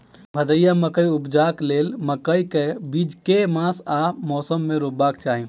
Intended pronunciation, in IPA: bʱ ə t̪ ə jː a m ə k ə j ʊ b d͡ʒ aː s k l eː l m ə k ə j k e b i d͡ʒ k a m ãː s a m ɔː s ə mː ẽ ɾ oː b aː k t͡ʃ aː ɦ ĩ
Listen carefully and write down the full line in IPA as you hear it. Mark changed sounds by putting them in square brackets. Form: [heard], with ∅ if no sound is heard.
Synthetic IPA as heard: bʱ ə [d̪] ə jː a m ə k ə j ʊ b d͡ʒ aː [∅] k l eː l m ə k ə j k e b i d͡ʒ k [e] m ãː s a m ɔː s ə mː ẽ ɾ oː b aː k t͡ʃ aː ɦ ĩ